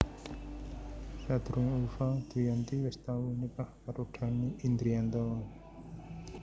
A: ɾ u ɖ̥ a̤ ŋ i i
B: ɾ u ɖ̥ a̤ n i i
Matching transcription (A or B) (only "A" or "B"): B